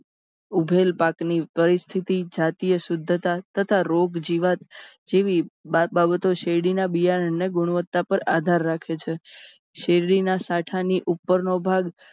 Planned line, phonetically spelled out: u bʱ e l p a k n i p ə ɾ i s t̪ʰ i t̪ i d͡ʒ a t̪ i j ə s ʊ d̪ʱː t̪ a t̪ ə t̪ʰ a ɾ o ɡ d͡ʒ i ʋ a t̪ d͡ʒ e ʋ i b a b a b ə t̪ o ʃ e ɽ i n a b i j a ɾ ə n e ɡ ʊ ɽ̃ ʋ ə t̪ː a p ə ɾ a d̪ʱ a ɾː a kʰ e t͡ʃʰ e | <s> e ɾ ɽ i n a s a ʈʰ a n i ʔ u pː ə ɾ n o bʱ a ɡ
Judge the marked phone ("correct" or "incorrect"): incorrect